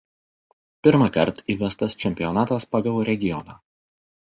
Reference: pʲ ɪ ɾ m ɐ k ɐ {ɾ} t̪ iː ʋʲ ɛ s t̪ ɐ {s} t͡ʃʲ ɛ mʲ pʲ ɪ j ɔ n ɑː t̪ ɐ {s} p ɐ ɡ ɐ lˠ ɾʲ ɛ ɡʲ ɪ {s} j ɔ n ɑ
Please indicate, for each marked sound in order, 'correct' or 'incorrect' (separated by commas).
correct, correct, correct, incorrect